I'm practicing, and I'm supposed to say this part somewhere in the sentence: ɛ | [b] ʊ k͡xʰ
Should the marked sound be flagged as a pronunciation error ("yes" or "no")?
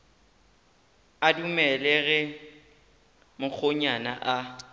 yes